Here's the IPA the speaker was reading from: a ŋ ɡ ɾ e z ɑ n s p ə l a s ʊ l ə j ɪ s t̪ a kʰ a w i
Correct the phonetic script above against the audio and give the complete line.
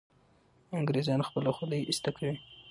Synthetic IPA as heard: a ŋ ɡ ɾ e z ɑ n x p ə l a x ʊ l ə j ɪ s t̪ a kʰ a w i